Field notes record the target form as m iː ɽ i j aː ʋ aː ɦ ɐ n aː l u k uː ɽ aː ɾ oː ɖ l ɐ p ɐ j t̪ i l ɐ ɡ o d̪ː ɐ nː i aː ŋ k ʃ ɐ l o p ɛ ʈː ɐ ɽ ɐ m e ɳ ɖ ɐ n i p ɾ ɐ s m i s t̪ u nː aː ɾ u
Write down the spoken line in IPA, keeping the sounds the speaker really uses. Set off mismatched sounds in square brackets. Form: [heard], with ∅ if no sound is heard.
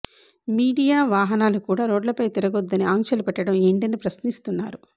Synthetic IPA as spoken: m iː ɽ i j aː ʋ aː ɦ ɐ n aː l u k uː ɽ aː ɾ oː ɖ l ɐ p ɐ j t̪ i [ɾ] ɐ ɡ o d̪ː ɐ [n] i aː ŋ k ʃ ɐ l [u] p ɛ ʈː ɐ ɽ ɐ m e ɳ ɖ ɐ n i p ɾ ɐ s [n] i s t̪ u nː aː ɾ u